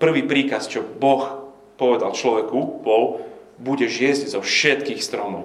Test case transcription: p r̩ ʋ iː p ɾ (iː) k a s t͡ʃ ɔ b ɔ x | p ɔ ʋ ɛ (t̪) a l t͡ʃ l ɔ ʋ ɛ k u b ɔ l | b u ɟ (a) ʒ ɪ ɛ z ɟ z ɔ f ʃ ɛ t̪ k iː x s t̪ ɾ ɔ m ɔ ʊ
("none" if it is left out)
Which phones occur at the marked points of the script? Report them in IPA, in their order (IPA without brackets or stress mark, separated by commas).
iː, d̪, ɛ